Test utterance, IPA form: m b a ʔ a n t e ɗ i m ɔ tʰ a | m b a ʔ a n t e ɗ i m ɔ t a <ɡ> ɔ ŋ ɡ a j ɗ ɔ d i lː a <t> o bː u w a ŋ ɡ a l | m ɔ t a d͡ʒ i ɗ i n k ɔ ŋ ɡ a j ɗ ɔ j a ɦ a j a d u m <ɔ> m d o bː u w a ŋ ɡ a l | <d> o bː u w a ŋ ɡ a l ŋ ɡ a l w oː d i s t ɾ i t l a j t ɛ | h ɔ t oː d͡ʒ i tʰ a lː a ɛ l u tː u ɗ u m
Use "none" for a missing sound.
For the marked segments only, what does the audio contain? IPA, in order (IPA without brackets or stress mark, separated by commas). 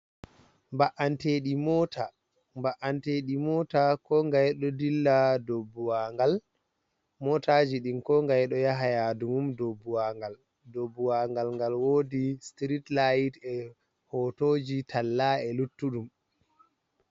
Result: k, d, u, d